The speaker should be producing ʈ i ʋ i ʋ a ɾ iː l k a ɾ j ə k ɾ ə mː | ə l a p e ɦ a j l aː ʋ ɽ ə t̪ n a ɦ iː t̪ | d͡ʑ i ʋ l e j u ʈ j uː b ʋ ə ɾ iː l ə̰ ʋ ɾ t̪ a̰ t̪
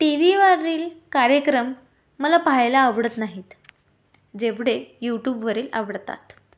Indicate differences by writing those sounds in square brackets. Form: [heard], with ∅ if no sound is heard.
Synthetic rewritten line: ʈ i ʋ i ʋ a ɾ iː l k a ɾ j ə k ɾ ə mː | ə l a p [a] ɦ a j l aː ʋ ɽ ə t̪ n a ɦ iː t̪ | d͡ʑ [e] ʋ [ɽ] e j u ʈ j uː b ʋ ə ɾ iː l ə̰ ʋ [ɽ] t̪ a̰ t̪